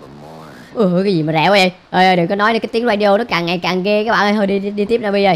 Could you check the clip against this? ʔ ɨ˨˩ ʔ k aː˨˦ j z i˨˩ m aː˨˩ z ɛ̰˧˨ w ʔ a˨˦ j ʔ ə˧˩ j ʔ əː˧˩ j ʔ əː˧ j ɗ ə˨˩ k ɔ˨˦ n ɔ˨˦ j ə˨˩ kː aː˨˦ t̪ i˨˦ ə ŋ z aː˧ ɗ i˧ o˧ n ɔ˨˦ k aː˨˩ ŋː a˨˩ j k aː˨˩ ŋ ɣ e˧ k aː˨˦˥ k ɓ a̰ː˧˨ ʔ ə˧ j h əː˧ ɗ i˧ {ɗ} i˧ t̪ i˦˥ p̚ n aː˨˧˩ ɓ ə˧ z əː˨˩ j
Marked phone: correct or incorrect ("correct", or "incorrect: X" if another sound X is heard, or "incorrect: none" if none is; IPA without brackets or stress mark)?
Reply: correct